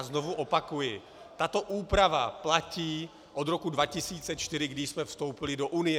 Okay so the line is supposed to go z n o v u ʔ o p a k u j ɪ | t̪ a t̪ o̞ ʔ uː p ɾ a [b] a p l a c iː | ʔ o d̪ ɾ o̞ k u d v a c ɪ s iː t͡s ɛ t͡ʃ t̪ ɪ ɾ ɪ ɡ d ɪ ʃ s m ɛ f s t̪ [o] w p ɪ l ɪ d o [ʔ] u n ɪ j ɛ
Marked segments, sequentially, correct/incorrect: incorrect, correct, correct

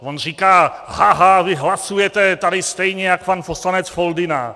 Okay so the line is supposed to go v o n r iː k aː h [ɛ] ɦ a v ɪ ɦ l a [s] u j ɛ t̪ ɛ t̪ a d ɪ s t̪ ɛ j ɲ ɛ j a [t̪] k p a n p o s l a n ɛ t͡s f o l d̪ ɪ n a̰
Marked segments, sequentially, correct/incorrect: incorrect, correct, incorrect

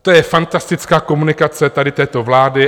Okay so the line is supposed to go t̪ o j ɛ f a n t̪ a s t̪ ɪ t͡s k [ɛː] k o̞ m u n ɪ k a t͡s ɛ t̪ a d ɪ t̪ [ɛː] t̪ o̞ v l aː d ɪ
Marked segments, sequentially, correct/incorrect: incorrect, correct

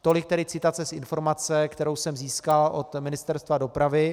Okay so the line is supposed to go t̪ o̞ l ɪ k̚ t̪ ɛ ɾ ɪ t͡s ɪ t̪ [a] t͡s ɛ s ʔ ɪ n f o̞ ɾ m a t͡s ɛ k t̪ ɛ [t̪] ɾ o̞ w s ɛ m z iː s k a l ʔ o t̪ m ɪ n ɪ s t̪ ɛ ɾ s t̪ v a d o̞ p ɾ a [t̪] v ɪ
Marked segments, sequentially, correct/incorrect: correct, incorrect, incorrect

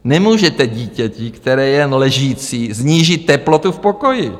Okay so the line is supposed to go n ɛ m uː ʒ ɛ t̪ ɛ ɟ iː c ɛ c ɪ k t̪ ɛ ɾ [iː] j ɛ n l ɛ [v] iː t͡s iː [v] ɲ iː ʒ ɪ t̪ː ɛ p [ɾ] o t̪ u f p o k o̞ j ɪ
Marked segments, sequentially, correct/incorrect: incorrect, incorrect, incorrect, incorrect

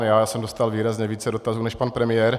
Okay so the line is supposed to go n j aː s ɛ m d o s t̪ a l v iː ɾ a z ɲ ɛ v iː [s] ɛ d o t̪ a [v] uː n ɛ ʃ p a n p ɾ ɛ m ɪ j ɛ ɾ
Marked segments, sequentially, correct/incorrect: incorrect, incorrect

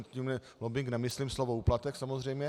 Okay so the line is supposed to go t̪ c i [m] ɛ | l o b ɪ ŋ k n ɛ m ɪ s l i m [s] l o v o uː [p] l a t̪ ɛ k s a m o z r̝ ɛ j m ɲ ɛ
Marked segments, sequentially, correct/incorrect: correct, correct, correct

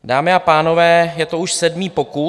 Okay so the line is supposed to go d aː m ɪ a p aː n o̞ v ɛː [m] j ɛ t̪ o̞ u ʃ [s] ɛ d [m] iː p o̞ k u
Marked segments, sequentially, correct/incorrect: incorrect, correct, correct

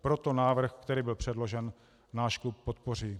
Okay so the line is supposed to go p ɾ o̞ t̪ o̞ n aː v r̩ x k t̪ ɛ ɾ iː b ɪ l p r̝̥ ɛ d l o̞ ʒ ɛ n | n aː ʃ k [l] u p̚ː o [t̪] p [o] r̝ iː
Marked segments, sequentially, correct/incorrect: correct, correct, correct

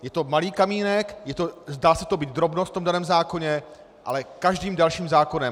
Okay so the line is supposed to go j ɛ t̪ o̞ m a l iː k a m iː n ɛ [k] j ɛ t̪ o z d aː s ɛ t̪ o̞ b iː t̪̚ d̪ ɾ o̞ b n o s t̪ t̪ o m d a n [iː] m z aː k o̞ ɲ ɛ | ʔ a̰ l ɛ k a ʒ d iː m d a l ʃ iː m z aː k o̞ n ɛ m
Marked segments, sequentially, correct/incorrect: correct, incorrect

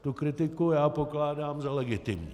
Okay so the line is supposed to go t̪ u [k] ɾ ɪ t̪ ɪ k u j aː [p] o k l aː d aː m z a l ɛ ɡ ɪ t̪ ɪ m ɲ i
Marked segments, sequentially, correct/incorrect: correct, correct

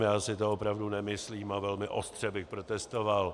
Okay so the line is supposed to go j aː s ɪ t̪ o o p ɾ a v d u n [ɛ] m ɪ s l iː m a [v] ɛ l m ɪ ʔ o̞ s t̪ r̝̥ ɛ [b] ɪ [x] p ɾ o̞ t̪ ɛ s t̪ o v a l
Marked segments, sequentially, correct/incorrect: correct, correct, correct, correct

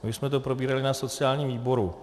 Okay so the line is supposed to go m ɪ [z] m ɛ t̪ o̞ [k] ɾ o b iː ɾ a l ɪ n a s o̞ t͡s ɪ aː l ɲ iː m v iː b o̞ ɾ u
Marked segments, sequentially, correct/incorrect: incorrect, incorrect

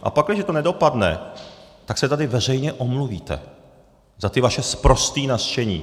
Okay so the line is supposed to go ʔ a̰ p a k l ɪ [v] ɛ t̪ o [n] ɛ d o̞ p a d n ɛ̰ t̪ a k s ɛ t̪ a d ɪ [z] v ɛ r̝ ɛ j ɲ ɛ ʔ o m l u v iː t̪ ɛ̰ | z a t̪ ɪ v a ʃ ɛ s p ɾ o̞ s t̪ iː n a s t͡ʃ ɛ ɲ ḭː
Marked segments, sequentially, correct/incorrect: incorrect, correct, incorrect

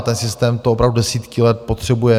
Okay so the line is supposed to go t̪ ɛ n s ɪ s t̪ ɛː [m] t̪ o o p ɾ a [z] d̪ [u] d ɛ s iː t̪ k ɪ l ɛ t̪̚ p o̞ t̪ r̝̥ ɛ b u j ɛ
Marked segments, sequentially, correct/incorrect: correct, incorrect, correct

